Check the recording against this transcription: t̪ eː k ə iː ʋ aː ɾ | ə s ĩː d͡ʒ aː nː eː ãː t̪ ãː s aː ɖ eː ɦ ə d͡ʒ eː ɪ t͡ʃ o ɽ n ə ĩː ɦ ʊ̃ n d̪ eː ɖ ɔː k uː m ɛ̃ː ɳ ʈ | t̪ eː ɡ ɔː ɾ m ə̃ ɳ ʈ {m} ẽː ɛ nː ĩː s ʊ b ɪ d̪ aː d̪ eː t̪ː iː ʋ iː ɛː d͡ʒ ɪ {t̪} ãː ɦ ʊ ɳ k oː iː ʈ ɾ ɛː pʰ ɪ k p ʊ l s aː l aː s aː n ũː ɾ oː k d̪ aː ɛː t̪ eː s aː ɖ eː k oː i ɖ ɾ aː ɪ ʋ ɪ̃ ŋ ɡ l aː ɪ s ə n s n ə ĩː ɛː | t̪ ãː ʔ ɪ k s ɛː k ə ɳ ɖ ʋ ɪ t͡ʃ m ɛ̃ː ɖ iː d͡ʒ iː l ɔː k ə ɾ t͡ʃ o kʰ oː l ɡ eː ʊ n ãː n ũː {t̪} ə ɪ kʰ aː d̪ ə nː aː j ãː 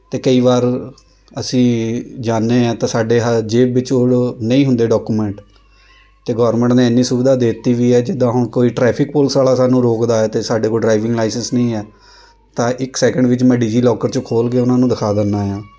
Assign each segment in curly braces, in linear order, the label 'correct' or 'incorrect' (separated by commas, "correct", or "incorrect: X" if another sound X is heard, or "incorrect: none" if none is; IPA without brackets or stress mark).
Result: incorrect: n, incorrect: d̪, incorrect: d̪